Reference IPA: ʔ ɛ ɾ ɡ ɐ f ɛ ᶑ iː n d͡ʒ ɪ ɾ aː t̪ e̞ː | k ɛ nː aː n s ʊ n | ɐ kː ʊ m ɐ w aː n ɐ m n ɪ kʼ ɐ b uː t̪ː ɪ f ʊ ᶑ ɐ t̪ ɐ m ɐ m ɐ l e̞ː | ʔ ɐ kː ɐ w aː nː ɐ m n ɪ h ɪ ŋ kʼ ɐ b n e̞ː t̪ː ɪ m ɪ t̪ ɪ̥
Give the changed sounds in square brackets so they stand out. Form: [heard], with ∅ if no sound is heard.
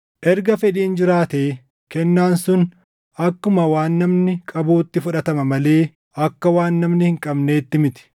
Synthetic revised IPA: ʔ ɛ ɾ ɡ ɐ f ɛ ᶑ iː n d͡ʒ ɪ ɾ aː t̪ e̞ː | k ɛ nː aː n s ʊ n | ɐ kː ʊ m ɐ w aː [nː] ɐ m n ɪ kʼ ɐ b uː t̪ː ɪ f ʊ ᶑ ɐ t̪ ɐ m ɐ m ɐ l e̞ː | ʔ ɐ kː ɐ w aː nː ɐ m n ɪ h ɪ ŋ kʼ ɐ b n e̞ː t̪ː ɪ m ɪ t̪ ɪ̥